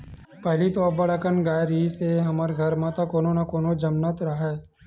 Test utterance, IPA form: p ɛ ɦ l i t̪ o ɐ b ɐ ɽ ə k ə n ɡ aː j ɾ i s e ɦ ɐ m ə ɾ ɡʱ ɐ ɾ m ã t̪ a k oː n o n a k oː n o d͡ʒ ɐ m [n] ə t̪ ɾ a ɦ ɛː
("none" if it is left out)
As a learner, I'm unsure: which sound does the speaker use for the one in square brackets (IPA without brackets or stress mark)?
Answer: n